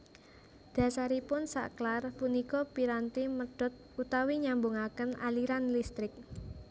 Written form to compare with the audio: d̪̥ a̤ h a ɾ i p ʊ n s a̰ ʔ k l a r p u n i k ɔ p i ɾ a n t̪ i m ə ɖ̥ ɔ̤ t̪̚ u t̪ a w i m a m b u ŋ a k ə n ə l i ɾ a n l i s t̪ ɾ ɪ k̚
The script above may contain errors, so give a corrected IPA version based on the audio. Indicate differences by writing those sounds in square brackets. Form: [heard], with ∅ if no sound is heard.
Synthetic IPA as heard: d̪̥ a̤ [s] a ɾ i p ʊ n s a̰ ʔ k l a r p u n i k ɔ p i ɾ a n t̪ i m ə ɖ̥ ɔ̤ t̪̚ u t̪ a w i [ɲ] a m b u ŋ a k ə n [a] l i ɾ a n l i s t̪ ɾ ɪ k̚